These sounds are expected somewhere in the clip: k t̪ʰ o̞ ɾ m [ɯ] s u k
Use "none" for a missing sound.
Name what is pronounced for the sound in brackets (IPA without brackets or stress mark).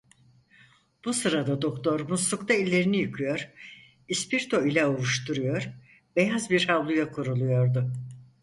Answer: u